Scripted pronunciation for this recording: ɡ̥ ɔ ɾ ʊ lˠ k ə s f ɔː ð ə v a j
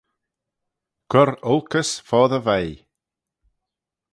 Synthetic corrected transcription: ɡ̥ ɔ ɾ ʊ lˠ k ə s f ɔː ð ə v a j